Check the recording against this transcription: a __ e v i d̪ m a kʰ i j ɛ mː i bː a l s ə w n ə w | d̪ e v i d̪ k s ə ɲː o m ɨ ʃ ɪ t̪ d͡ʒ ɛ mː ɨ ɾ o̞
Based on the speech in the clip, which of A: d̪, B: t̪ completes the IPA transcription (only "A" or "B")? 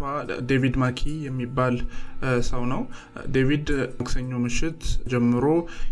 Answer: A